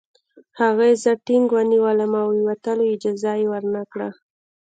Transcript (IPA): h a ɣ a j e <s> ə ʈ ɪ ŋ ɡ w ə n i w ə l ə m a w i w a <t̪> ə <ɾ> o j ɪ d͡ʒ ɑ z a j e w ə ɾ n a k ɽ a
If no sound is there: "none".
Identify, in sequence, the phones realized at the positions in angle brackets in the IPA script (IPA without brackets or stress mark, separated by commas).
z, t̪, l